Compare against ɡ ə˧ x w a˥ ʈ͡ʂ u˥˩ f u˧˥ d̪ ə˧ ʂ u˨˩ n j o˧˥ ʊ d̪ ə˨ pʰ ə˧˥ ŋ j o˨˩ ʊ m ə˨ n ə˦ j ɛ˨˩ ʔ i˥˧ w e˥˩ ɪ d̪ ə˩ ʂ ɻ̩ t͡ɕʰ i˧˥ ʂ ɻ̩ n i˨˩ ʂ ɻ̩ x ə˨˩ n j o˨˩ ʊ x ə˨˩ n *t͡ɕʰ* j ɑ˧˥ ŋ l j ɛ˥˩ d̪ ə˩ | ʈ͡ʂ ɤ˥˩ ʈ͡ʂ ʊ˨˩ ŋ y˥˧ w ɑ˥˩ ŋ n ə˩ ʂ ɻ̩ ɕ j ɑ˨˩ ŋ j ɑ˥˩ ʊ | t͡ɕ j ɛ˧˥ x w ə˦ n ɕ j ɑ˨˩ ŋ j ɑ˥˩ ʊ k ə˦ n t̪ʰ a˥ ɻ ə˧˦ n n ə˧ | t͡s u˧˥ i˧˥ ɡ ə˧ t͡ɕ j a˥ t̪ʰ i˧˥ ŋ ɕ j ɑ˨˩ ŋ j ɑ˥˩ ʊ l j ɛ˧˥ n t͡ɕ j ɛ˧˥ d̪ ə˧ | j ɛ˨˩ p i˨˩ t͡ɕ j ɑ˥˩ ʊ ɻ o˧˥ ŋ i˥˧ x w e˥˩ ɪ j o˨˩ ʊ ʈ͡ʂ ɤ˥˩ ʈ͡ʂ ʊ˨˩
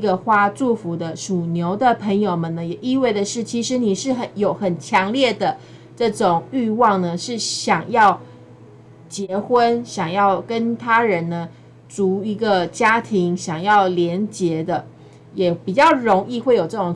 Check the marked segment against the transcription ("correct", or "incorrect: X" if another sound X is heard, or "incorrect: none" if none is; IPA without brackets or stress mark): correct